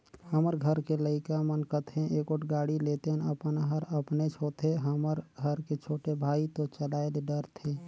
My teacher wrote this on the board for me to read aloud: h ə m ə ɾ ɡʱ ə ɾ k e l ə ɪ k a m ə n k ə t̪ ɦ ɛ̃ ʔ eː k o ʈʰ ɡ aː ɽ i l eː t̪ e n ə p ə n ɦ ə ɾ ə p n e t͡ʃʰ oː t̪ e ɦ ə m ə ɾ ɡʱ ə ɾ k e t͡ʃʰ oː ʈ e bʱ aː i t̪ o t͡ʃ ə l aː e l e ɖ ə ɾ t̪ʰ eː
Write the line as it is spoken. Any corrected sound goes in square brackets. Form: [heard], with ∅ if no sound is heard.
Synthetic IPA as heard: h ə m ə ɾ ɡʱ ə ɾ k e l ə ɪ k a m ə n k ə t̪ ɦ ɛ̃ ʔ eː k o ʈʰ ɡ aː ɽ i l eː t̪ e n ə p ə n ɦ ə ɾ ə p n e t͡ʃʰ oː t̪ e ɦ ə m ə ɾ ɡʱ ə ɾ k e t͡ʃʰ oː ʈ e bʱ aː i t̪ o t͡ʃ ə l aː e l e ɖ ə ɾ t̪ʰ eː